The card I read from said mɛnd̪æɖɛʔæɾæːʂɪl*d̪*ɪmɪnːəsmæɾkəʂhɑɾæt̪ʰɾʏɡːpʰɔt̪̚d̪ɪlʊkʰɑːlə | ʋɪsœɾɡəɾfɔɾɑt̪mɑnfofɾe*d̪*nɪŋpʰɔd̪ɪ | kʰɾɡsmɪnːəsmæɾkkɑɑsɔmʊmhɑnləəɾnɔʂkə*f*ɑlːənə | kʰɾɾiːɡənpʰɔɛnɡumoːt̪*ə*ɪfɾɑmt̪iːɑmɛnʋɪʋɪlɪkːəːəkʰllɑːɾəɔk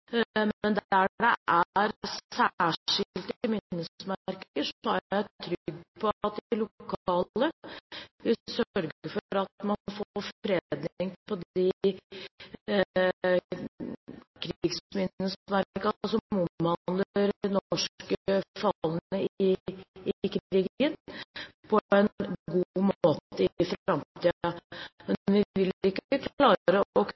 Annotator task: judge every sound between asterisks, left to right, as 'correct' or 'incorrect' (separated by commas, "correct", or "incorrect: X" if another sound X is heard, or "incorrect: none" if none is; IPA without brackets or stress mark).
incorrect: t̪, correct, correct, correct